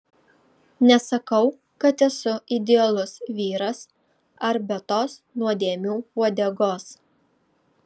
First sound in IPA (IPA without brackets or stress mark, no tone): nʲ